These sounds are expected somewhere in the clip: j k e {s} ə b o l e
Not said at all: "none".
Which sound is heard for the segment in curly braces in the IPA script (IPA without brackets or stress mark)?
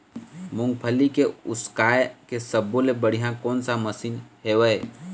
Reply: s